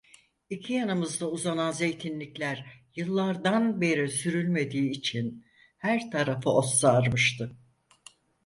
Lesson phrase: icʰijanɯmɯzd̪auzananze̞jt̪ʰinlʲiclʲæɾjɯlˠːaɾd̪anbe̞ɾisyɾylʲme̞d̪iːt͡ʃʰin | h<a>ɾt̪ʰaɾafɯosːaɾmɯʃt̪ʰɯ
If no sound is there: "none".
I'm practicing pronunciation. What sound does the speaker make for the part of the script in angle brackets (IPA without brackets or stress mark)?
æ